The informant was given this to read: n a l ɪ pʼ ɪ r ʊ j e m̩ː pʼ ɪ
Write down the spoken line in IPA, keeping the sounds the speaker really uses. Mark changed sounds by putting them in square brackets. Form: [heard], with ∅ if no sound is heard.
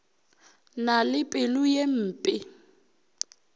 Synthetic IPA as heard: n a l ɪ pʼ ɪ [l] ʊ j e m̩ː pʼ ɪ